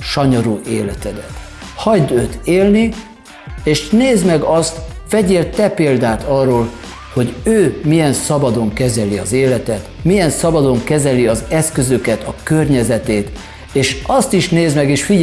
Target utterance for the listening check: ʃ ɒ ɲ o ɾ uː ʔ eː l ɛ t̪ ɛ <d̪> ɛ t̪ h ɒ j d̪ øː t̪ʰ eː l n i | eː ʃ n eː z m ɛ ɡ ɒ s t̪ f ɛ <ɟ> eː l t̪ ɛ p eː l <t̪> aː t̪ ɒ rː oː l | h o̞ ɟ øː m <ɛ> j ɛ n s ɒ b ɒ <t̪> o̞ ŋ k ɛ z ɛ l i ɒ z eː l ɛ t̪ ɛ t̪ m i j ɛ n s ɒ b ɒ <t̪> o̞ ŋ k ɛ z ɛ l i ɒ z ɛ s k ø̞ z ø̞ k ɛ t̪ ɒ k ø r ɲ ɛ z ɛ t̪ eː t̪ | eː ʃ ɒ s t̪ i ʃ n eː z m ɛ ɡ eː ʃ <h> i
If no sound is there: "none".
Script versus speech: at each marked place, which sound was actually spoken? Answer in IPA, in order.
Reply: d̪, ɟ, d̪, i, d̪, d̪, f

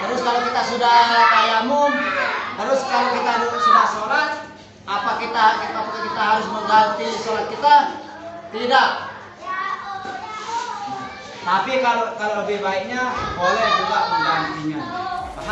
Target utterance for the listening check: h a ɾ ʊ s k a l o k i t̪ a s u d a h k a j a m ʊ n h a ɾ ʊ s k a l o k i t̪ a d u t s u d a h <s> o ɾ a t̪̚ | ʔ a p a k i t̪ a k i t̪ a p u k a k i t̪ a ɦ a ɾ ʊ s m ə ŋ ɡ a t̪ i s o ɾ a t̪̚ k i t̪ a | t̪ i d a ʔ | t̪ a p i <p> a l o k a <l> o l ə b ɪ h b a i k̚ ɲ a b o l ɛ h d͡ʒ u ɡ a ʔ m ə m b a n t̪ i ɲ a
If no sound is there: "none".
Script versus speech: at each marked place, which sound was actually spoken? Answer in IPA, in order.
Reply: s, k, l

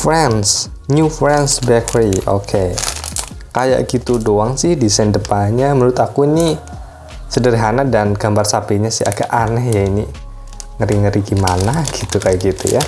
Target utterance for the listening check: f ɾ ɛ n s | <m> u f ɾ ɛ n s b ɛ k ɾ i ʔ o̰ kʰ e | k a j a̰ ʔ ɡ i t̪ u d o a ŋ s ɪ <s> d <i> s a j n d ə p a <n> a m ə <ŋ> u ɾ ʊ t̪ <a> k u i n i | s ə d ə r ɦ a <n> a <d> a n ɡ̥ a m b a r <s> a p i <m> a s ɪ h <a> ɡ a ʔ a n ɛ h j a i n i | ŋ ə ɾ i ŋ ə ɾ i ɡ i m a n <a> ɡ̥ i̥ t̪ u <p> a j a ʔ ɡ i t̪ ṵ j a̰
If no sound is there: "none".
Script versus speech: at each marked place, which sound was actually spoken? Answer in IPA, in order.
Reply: ɲ, h, i, ɲ, n, a, n, d, s, ɲ, a, a, k

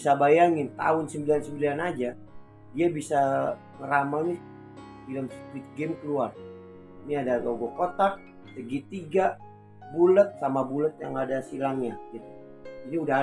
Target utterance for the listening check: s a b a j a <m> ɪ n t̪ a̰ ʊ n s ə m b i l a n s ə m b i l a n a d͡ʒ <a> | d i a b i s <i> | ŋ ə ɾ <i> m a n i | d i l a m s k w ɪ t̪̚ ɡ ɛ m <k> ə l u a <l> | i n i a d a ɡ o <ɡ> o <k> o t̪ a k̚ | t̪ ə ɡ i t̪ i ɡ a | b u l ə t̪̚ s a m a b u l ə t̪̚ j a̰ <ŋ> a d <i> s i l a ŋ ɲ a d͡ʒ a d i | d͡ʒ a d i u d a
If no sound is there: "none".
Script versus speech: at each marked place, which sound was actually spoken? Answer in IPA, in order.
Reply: ŋ, a, a, a, k, r, ɡ, k, ŋ, a

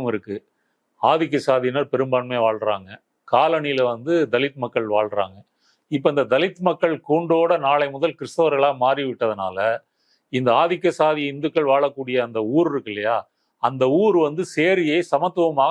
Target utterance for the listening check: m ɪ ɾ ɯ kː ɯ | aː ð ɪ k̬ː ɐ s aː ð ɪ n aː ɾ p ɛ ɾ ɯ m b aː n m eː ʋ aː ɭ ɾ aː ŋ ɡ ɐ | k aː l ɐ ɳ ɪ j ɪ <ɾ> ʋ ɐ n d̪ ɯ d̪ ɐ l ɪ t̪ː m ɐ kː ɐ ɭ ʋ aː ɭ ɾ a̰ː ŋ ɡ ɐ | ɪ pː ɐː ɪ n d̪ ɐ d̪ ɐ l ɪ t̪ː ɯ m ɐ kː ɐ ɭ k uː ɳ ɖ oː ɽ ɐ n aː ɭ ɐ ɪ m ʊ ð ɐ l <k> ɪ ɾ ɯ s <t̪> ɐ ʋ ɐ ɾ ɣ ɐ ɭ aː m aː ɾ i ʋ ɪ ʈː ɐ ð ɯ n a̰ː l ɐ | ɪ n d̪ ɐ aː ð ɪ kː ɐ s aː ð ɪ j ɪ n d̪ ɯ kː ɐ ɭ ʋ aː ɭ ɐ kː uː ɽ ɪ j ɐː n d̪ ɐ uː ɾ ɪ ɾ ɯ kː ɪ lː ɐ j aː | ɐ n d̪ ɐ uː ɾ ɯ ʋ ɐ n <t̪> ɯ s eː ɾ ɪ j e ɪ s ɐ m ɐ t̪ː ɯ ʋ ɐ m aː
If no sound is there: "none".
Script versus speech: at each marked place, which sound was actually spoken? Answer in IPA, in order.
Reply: l, k, t̪, d̪

